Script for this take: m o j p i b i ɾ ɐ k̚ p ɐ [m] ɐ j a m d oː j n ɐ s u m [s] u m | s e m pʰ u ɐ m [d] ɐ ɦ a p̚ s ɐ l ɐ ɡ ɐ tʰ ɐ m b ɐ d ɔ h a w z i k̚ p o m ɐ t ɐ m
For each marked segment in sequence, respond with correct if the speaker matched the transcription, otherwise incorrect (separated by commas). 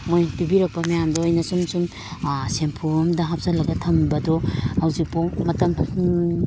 correct, correct, correct